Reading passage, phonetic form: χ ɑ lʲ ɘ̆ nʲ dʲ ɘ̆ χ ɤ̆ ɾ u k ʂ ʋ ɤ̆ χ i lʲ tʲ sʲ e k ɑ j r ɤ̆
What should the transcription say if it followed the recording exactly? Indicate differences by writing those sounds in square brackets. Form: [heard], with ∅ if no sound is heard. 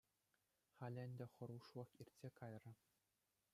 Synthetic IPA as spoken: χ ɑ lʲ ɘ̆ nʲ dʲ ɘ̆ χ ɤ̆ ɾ u [∅] ʂ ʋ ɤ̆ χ i [rʲ] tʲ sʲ e k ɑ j r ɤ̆